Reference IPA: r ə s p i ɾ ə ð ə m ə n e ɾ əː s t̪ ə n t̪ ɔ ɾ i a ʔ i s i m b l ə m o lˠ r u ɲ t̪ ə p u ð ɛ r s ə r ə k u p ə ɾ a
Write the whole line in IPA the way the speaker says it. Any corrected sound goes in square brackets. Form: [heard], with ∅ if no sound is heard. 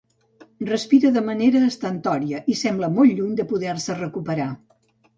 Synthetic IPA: r ə s p i ɾ ə ð ə m ə n e ɾ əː s t̪ ə n t̪ ɔ ɾ i [ə] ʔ i s [ɛ] m b l ə m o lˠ [ʎ] u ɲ [d̪] ə p u ð ɛ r s ə r ə k u p ə ɾ a